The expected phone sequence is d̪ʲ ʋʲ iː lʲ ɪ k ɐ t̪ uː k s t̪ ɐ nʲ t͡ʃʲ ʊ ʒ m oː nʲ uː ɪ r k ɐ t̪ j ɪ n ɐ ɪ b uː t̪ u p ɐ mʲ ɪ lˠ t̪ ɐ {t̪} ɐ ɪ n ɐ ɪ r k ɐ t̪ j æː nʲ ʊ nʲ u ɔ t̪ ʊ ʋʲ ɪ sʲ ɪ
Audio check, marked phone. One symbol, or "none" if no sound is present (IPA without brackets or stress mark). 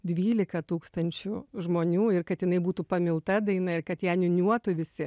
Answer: d̪